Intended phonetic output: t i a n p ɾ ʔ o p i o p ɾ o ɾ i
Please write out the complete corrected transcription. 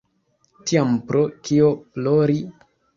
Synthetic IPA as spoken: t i a m p ɾ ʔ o k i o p l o ɾ i